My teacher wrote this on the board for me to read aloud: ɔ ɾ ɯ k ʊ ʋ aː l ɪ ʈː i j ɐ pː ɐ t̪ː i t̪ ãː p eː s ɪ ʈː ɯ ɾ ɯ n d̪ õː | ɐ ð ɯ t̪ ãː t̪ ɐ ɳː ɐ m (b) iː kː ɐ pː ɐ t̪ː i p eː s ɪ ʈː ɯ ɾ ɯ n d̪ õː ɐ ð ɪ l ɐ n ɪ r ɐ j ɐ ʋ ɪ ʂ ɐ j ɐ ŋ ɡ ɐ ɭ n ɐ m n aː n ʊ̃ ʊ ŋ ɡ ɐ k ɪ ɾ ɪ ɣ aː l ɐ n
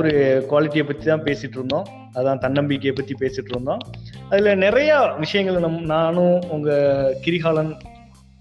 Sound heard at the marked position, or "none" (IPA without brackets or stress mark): b